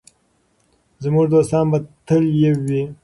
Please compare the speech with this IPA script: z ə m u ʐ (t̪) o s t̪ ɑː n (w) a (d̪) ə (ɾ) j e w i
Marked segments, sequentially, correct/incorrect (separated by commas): incorrect, incorrect, incorrect, incorrect